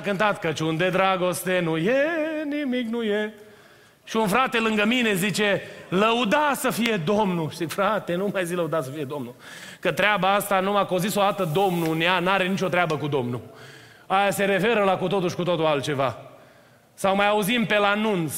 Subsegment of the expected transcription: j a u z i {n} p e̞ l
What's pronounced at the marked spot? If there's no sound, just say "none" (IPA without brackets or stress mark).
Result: m